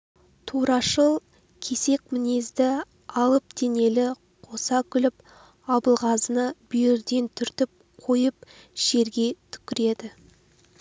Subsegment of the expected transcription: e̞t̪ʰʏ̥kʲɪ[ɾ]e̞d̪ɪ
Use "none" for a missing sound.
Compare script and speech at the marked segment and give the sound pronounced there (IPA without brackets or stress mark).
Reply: ɾ